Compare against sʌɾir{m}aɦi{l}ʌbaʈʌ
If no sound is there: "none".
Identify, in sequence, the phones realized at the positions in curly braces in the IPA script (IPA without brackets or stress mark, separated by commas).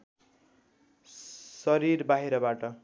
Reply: b, ɾ